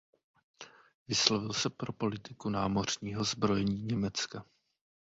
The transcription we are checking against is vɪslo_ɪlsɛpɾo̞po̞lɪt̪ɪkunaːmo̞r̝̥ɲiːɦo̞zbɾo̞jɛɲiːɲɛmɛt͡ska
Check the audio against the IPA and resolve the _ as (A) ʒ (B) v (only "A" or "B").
B